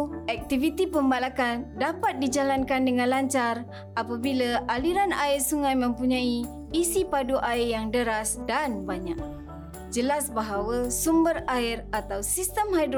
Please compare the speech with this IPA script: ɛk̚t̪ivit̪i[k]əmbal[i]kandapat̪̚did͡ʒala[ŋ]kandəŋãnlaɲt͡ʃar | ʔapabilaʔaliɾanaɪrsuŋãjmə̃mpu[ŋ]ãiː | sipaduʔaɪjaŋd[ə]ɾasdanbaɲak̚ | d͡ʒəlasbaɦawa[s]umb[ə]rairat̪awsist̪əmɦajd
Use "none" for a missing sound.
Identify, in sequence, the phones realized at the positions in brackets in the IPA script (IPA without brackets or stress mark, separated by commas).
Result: p, a, n, ɲ, ə, s, ə